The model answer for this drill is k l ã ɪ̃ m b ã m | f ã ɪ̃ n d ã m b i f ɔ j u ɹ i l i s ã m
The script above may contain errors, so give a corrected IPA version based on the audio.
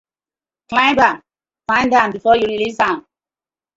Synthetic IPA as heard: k l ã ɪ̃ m b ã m | f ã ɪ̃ n d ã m b i f ɔ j u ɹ i l i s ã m